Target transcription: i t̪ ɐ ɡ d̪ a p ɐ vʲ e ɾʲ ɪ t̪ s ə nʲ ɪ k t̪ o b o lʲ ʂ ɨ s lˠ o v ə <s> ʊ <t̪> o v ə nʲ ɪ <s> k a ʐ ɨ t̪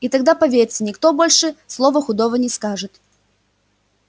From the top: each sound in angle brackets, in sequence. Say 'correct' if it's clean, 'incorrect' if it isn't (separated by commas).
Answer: incorrect, incorrect, correct